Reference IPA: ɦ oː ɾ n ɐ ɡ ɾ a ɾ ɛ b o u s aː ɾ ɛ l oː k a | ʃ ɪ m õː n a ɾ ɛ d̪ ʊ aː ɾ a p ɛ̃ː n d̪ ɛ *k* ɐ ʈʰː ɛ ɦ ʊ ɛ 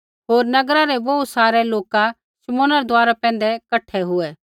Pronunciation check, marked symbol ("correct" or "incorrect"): correct